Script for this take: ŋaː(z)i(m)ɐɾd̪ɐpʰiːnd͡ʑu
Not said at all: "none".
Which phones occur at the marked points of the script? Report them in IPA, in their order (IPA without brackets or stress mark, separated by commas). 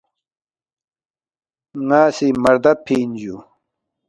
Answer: s, m